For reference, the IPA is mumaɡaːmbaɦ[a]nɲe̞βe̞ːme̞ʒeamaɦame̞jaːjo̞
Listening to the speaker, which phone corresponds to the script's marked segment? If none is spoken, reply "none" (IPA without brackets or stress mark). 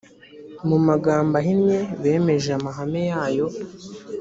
i